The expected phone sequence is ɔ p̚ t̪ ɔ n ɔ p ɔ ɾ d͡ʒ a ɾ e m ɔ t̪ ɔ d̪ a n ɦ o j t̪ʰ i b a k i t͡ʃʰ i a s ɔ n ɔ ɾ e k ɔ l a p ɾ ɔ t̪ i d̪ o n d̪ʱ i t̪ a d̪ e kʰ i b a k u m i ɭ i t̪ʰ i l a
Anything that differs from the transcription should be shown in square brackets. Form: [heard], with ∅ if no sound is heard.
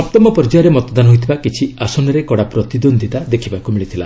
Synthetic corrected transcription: ɔ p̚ t̪ ɔ [m] ɔ p ɔ ɾ d͡ʒ a ɾ e m ɔ t̪ ɔ d̪ a n ɦ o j t̪ʰ i b a k i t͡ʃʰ i a s ɔ n ɔ ɾ e k ɔ [ɽ] a p ɾ ɔ t̪ i d̪ o n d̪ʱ i t̪ a d̪ e kʰ i b a k u m i ɭ i t̪ʰ i l a